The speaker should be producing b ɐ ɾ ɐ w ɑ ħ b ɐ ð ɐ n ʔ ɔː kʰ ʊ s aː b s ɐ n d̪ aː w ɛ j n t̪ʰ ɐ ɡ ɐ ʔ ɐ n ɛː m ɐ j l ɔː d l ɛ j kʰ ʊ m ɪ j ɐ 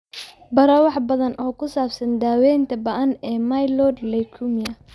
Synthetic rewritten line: b ɐ ɾ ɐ w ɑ ħ b ɐ ð ɐ n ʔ ɔː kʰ ʊ s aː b s ɐ n d̪ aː w ɛ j n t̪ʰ ɐ b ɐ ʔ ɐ n ɛː m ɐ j l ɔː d l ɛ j kʰ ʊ m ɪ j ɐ